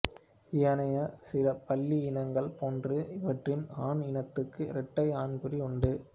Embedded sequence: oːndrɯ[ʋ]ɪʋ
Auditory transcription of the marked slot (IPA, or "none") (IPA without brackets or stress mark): none